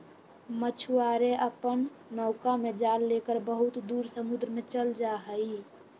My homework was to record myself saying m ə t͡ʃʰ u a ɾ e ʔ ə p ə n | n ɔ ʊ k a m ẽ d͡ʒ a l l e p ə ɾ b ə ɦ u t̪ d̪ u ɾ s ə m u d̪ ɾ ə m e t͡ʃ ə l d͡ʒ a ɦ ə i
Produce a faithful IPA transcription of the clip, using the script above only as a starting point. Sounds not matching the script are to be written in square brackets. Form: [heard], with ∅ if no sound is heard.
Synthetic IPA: m ə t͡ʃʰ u a ɾ e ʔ ə p ə n | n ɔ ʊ k a m [e] d͡ʒ a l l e [k] ə ɾ b ə ɦ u t̪ d̪ u ɾ s ə m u d̪ ɾ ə m e t͡ʃ ə l d͡ʒ a ɦ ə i